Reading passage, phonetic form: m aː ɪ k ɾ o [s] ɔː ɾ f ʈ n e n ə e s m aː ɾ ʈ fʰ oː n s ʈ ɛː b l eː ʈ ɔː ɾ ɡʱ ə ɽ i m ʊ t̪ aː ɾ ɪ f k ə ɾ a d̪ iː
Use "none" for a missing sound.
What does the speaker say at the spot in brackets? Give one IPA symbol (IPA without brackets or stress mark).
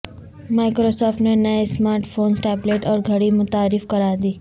s